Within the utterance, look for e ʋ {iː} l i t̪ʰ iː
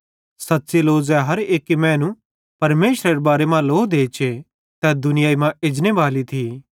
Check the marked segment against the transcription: incorrect: aː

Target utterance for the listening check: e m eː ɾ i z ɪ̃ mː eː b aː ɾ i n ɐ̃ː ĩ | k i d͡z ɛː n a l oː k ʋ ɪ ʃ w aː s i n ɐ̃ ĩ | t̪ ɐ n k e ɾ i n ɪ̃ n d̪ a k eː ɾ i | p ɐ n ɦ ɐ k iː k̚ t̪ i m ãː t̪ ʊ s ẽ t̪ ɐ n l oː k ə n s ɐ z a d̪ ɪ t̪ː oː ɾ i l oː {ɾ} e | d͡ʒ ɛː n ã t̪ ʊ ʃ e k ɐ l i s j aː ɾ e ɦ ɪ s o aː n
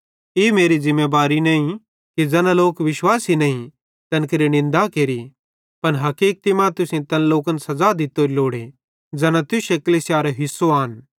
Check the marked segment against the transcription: incorrect: ɽ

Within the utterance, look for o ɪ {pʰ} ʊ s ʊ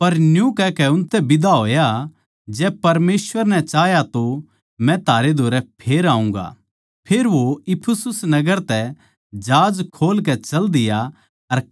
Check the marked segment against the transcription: correct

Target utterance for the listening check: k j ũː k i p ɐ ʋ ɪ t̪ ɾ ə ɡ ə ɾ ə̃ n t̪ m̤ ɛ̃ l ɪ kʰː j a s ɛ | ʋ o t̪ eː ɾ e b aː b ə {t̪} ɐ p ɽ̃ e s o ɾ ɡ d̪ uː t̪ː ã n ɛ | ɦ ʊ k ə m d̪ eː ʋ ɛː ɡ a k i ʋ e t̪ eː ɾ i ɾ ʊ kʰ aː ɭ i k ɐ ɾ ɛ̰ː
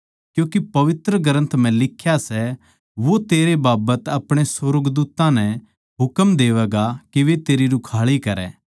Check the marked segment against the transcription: correct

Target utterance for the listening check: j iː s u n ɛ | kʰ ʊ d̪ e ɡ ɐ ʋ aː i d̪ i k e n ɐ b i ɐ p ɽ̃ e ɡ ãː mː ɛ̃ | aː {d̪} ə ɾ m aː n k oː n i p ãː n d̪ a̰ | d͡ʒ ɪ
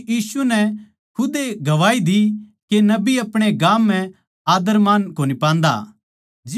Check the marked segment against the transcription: correct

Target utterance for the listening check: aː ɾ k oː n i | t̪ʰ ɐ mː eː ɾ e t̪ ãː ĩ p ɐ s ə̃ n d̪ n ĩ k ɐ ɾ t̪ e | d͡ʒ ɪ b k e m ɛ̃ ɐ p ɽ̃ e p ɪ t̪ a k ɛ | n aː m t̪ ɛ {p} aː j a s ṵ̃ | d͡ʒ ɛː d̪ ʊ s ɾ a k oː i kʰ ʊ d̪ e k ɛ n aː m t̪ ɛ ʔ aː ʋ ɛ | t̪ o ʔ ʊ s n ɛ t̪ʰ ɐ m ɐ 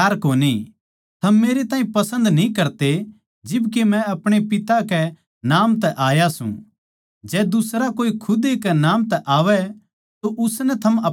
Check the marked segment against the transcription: incorrect: ʔ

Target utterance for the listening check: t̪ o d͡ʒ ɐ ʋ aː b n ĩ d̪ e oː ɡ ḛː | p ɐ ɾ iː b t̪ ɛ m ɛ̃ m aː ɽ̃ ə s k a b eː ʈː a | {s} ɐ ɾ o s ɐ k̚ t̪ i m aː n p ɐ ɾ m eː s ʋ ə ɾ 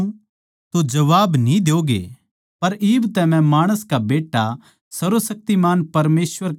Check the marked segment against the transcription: correct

